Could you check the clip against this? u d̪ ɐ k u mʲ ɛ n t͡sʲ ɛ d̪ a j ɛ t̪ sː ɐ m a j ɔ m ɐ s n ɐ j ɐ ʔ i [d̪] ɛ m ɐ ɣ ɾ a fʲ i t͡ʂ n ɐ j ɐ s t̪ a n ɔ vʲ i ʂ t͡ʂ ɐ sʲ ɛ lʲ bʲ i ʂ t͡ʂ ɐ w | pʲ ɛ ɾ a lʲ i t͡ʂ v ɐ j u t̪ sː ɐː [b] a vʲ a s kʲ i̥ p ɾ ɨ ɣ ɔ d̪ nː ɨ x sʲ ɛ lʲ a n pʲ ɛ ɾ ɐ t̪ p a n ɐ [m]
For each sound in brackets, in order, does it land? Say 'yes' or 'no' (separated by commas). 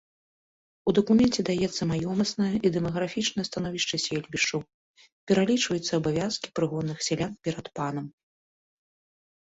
yes, yes, yes